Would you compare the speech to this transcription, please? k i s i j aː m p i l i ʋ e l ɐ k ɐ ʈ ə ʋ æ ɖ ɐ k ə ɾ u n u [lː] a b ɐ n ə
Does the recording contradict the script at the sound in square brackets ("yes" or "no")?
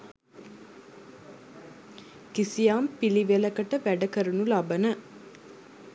yes